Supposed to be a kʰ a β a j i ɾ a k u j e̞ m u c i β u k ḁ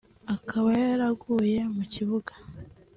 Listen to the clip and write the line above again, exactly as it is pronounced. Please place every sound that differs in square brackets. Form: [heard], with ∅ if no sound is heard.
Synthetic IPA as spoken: a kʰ a β a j [a] ɾ a [ɡ] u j e̞ m u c i β u [ɡ] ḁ